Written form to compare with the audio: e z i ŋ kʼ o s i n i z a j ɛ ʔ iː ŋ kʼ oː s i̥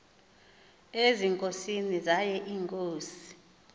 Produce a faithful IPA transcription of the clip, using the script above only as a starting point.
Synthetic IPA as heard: e z i ŋ kʼ o s i n i z a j ɛ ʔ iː ŋ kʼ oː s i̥